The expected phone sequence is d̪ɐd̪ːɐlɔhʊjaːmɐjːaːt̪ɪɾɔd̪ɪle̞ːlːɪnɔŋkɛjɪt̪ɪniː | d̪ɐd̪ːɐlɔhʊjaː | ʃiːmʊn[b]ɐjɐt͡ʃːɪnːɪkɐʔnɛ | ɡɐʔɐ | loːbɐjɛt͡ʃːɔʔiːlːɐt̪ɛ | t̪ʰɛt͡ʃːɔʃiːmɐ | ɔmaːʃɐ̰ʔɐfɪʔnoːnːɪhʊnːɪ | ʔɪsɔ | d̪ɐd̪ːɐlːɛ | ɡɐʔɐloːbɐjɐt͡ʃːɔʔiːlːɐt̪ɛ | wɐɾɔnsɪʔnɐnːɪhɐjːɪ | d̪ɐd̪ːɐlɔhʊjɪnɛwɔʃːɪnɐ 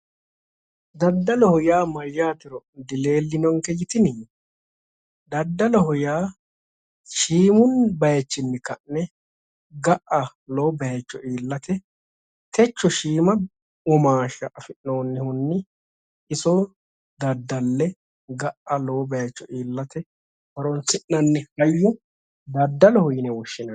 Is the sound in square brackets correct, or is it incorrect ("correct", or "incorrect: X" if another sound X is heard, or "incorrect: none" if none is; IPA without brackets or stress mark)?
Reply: correct